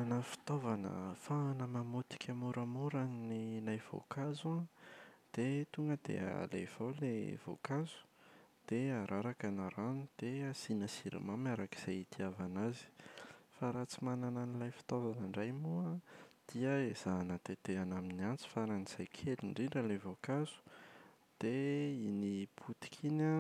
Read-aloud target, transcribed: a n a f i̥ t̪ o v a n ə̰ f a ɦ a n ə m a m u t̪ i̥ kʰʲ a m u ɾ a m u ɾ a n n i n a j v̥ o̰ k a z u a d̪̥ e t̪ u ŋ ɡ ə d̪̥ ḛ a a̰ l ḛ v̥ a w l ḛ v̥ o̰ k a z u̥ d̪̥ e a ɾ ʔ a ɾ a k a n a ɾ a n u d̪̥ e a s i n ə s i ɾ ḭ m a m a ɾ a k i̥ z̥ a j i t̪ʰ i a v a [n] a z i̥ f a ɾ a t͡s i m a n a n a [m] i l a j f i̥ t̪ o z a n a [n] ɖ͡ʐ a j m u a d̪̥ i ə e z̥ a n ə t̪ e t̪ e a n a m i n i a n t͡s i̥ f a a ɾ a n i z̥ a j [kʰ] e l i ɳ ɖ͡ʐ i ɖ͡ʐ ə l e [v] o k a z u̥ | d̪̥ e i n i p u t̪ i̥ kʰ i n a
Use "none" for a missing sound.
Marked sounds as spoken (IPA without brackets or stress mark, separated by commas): n, n, ɳ, kʰ, v